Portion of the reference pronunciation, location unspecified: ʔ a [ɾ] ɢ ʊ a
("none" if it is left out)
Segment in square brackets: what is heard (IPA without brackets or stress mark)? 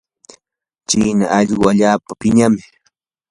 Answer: ʎ